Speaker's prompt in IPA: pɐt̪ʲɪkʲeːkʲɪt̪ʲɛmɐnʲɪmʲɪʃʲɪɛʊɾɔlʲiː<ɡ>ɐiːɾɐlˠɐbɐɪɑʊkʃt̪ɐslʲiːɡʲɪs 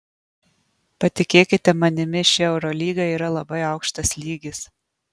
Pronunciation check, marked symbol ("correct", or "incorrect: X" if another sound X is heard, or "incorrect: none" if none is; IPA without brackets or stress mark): correct